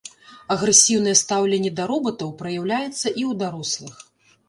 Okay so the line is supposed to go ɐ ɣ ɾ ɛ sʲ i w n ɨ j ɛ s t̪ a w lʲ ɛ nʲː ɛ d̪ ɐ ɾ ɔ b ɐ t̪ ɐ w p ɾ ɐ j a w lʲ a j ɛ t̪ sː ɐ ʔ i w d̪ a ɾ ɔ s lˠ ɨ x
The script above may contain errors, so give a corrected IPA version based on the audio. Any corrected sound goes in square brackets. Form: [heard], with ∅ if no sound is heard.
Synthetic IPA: ɐ ɣ ɾ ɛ sʲ i w n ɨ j ɛ s t̪ a w lʲ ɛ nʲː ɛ d̪ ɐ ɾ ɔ b ɐ t̪ ɐ w p ɾ ɐ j a w lʲ a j ɛ t̪ sː ɐ ʔ i w d̪ a ɾ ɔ s lˠ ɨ x